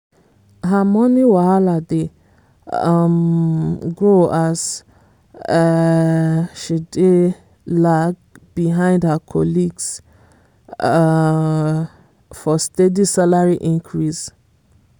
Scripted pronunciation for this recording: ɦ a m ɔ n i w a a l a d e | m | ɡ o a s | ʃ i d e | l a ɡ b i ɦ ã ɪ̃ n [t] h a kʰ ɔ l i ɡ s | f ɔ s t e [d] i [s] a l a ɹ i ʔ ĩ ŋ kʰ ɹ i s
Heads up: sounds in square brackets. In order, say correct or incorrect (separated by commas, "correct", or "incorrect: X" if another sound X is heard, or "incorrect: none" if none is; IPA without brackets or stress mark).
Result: incorrect: d, correct, correct